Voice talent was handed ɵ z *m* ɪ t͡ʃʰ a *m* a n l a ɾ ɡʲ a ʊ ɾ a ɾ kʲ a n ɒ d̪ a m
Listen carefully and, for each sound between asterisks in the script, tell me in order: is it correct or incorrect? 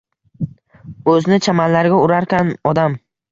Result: incorrect, correct

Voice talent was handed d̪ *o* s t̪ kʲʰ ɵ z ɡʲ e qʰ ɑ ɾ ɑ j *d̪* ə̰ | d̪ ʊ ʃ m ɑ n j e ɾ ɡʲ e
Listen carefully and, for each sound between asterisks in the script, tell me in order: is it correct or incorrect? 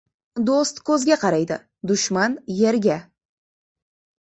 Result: correct, correct

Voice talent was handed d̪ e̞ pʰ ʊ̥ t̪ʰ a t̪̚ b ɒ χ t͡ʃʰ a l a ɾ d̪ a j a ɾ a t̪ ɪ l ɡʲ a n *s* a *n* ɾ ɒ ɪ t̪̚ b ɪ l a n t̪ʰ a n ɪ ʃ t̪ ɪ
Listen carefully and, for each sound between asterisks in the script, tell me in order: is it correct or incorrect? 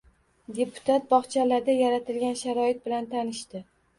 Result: incorrect, incorrect

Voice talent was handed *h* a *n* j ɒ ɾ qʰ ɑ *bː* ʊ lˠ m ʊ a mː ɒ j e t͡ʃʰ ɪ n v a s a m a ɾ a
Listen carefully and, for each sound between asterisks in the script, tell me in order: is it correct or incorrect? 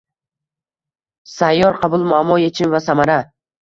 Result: incorrect, incorrect, incorrect

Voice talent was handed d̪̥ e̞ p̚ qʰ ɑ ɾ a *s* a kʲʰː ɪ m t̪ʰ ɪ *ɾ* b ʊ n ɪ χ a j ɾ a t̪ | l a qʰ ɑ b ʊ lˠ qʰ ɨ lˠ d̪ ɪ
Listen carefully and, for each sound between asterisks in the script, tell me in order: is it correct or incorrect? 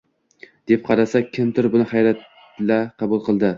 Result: correct, correct

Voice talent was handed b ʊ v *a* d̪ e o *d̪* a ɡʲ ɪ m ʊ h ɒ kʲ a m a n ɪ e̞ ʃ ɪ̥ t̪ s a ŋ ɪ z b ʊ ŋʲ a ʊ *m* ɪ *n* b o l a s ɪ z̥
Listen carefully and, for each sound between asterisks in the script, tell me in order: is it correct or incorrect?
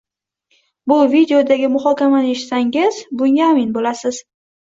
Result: incorrect, correct, correct, correct

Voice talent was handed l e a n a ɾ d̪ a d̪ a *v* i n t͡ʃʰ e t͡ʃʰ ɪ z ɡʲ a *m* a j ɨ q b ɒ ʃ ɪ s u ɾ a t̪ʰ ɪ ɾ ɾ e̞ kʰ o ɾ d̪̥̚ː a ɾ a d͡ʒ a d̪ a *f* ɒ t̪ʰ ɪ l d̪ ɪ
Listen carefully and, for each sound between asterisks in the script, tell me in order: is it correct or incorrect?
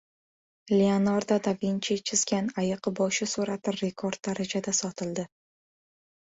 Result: correct, incorrect, incorrect

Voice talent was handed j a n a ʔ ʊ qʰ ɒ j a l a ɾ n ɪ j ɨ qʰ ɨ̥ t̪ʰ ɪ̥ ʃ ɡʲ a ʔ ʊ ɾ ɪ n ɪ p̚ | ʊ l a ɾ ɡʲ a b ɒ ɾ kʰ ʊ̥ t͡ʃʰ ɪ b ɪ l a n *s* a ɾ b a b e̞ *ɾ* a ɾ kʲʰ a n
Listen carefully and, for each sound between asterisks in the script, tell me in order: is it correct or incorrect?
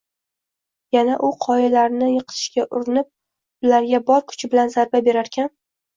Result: incorrect, correct

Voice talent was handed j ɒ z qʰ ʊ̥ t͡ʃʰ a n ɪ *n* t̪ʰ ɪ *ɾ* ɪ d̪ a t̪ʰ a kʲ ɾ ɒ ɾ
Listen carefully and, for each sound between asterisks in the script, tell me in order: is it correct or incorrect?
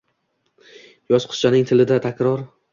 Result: incorrect, incorrect

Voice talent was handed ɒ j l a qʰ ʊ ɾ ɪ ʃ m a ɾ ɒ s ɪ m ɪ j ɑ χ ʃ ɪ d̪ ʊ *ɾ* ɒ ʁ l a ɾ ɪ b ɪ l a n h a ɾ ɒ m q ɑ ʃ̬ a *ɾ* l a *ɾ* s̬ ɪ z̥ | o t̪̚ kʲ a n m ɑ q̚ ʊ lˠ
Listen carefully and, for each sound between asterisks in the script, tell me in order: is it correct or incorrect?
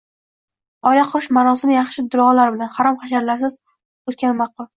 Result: correct, correct, correct

